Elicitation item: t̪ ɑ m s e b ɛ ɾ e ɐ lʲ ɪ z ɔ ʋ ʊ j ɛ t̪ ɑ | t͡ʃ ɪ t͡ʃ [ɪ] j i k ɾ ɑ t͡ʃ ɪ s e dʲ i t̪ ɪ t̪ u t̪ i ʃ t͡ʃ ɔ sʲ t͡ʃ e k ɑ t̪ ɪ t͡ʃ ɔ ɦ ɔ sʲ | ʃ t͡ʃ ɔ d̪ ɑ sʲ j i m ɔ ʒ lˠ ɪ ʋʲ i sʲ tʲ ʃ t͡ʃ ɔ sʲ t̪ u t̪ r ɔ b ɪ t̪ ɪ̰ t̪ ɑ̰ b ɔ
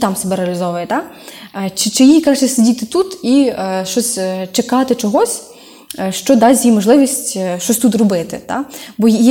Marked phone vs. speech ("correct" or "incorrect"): correct